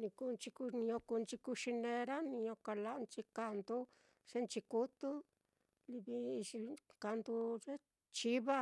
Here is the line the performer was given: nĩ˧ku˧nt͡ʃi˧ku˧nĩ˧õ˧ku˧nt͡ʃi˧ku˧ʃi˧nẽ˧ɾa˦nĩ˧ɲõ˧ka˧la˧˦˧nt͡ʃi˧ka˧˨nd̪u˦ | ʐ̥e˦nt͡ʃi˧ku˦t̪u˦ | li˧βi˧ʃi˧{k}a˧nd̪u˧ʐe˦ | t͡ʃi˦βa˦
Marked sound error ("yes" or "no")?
no